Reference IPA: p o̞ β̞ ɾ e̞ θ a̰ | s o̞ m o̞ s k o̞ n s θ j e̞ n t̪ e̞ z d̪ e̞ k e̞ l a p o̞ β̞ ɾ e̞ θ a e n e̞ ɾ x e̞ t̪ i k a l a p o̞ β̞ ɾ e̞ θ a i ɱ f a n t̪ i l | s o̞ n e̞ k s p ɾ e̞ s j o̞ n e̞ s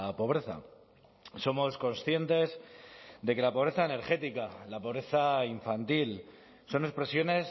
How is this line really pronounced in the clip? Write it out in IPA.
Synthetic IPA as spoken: p o̞ β̞ ɾ e̞ θ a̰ | s o̞ m o̞ s k o̞ n s θ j e̞ n t̪ e̞ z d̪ e̞ k e̞ l a p o̞ β̞ ɾ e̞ θ a e n e̞ ɾ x e̞ t̪ i k a l a p o̞ β̞ ɾ e̞ θ a i ɱ f a n t̪ i l | s o̞ n e̞ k s p ɾ e̞ s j o̞ n e̞ s

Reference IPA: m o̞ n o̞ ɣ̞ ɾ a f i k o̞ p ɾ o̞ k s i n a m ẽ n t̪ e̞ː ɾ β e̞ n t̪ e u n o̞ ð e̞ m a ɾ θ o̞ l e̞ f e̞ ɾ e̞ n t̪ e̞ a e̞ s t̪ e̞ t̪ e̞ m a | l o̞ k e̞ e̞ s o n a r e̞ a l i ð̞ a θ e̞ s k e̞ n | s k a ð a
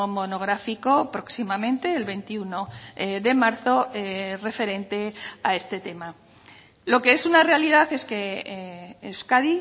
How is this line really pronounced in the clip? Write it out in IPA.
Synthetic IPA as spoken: m o̞ n o̞ ɣ̞ ɾ a f i k o̞ p ɾ o̞ k s i m a m ẽ n t̪ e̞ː l β e̞ n t̪ i u n o̞ ð e̞ m a ɾ θ o̞ r e̞ f e̞ ɾ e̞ n t̪ e̞ a e̞ s t̪ e̞ t̪ e̞ m a | l o̞ k e̞ e̞ s u n a r e̞ a l i ð̞ a θ e̞ s k e̞ | s k a ð i

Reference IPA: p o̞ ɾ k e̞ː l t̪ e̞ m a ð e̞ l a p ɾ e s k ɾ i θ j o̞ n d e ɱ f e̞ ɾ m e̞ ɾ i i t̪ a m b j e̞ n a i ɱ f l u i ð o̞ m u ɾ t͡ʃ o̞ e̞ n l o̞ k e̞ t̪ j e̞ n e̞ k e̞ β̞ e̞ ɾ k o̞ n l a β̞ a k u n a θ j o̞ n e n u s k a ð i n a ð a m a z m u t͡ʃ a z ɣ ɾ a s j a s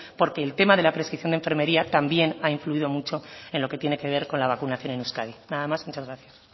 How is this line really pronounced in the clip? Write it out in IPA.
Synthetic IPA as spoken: p o̞ ɾ k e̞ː l t̪ e̞ m a ð e̞ l a p ɾ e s k ɾ i θ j o̞ n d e ɱ f e̞ ɾ m e̞ ɾ i a t̪ a m b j e̞ n a i ɱ f l u i ð o̞ m u t͡ʃ o̞ e̞ n l o̞ k e̞ t̪ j e̞ n e̞ k e̞ β̞ e̞ ɾ k o̞ n l a β̞ a k u n a θ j o̞ n e n u s k a ð i n a ð a m a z m u t͡ʃ a z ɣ ɾ a θ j a s

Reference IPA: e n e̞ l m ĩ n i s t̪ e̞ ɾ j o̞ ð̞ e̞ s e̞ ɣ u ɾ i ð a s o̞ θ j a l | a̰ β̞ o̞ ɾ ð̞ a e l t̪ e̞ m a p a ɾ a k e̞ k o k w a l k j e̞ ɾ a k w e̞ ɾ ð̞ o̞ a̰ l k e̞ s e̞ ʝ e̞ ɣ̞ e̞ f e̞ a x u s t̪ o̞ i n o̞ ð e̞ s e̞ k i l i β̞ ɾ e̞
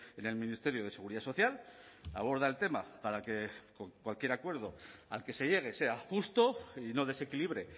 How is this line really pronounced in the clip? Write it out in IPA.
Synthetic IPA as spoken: e n e̞ l m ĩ n i s t̪ e̞ ɾ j o̞ ð̞ e̞ s e̞ ɣ u ɾ i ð a s o̞ θ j a l | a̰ β̞ o̞ ɾ ð̞ a e l t̪ e̞ m a p a ɾ a k e̞ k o k w a l k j e̞ ɾ a k w e̞ ɾ ð̞ o̞ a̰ l k e̞ s e̞ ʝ e̞ ɣ̞ e̞ s e̞ a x u s t̪ o̞ i n o̞ ð e̞ s e̞ k i l i β̞ ɾ e̞

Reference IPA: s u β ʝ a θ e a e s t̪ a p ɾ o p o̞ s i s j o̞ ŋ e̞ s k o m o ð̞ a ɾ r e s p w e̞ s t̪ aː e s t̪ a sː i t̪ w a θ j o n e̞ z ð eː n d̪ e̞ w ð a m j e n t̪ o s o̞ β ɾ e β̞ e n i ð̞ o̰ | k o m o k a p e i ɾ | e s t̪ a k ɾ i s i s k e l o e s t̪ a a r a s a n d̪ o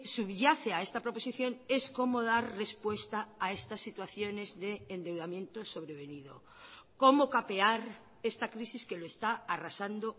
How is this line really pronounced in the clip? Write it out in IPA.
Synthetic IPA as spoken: s u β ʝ a θ e a e s t̪ a p ɾ o p o̞ s i θ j o̞ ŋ e̞ s k o m o ð̞ a ɾ r e s p w e̞ s t̪ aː e s t̪ a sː i t̪ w a θ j o n e̞ z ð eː n d̪ e̞ w ð a m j e n t̪ o s o̞ β ɾ e β̞ e n i ð̞ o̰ | k o m o k a p e a ɾ | e s t̪ a k ɾ i s i s k e l o e s t̪ a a r a s a n d̪ o

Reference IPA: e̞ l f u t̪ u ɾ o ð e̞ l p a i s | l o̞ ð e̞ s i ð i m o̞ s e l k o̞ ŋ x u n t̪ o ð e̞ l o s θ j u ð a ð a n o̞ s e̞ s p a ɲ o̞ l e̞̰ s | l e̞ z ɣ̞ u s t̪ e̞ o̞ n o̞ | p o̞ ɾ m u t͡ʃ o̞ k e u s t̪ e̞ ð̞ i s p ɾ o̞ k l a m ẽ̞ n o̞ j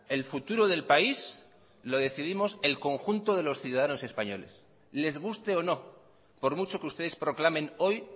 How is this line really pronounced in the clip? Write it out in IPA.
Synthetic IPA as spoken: e̞ l f u t̪ u ɾ o ð e̞ l p a i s | l o̞ ð e̞ θ i ð i m o̞ s e l k o̞ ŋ x u n t̪ o ð e̞ l o s θ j u ð a ð a n o̞ s e̞ s p a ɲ o̞ l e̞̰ s | l e̞ z ɣ̞ u s t̪ e̞ o̞ n o̞ | p o̞ ɾ m u t͡ʃ o̞ k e u s t̪ e̞ ð̞ e s p ɾ o̞ k l a m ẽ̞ n o̞ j

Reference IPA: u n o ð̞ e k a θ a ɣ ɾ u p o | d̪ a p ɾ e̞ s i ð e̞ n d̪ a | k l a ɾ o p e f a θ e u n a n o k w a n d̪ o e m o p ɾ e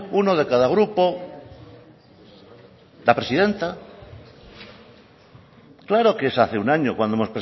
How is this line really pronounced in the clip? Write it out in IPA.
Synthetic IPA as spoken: u n o ð̞ e k a ð a ɣ ɾ u p o | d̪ a p ɾ e̞ s i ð e̞ n t̪ a | k l a ɾ o k e s a θ e u n a ɲ o k w a n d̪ o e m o p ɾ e

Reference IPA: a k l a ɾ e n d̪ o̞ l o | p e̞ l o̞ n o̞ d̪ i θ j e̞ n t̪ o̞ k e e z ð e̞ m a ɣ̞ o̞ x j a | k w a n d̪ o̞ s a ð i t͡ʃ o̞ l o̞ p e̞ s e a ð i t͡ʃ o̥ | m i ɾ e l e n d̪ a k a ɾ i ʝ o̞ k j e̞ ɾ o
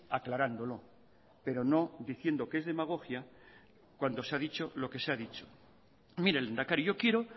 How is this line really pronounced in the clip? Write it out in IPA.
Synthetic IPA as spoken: a k l a ɾ a n d̪ o̞ l o | p e̞ ɾ o̞ n o̞ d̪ i θ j e̞ n d̪ o̞ k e e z ð e̞ m a ɣ̞ o̞ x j a | k w a n d̪ o̞ s a ð i t͡ʃ o̞ l o̞ k e̞ s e a ð i t͡ʃ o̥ | m i ɾ e l e n d̪ a k a ɾ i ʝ o̞ k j e̞ ɾ o

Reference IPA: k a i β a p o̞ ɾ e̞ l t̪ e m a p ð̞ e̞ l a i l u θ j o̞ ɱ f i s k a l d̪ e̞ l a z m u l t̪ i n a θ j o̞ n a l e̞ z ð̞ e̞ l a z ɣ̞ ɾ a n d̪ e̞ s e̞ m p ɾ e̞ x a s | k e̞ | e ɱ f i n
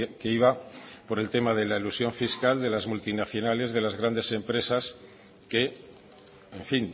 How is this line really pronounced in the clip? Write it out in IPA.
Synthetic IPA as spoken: k e i β a p o̞ ɾ e̞ l t̪ e m a ð̞ e̞ l a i l u s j o̞ ɱ f i s k a l d̪ e̞ l a z m u l t̪ i n a θ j o̞ n a l e̞ z ð̞ e̞ l a z ɣ̞ ɾ a n d̪ e̞ s e̞ m p ɾ e̞ s a s | k e̞ | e ɱ f i n

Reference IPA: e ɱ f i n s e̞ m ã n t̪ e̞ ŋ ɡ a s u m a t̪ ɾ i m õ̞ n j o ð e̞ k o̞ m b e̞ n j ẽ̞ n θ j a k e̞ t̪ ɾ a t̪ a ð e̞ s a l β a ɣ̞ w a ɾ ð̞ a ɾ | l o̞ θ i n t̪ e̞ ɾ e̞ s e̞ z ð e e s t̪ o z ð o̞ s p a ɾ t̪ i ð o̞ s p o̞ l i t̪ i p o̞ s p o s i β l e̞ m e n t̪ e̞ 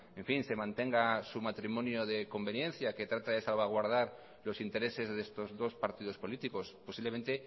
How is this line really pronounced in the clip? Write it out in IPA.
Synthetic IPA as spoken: e ɱ f i n s e̞ m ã n t̪ e̞ ŋ ɡ a s u m a t̪ ɾ i m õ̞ n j o ð e̞ k o̞ m b e̞ n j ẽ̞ n θ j a k e̞ t̪ ɾ a t̪ a ð e̞ s a l β a ɣ̞ w a ɾ ð̞ a ɾ | l o̞ s i n t̪ e̞ ɾ e̞ s e̞ z ð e e s t̪ o z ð o̞ s p a ɾ t̪ i ð o̞ s p o̞ l i t̪ i k o̞ s p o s i β l e̞ m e n t̪ e̞

